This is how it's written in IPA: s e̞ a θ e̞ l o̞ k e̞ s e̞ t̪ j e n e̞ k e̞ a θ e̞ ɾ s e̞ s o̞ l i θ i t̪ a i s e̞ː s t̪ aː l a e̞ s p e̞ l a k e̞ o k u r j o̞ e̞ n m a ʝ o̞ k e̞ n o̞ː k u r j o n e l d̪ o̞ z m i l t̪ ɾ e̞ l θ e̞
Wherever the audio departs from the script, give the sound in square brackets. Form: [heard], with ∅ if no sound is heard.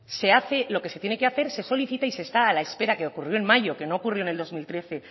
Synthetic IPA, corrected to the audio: s e̞ a θ e̞ l o̞ k e̞ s e̞ t̪ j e n e̞ k e̞ a θ e̞ ɾ s e̞ s o̞ l i θ i t̪ a i s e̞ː s t̪ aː l a e̞ s p e̞ [ɾ] a k e̞ o k u r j o̞ e̞ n m a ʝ o̞ k e̞ n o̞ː k u r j o n e l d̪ o̞ z m i l t̪ ɾ e̞ [∅] θ e̞